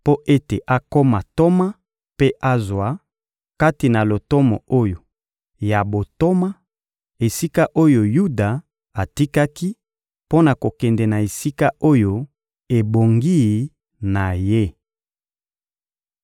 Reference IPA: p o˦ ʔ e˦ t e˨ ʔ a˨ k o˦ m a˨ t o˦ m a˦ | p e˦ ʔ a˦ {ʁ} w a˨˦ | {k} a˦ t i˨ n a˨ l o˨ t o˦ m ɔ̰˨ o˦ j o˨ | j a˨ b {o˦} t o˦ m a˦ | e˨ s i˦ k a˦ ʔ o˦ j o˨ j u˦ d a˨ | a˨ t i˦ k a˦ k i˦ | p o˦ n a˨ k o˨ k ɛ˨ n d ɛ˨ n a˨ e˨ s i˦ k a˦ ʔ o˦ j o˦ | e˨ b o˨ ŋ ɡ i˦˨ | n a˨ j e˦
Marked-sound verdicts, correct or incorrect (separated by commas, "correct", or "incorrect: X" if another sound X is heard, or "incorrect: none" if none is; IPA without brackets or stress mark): incorrect: z, correct, incorrect: o˨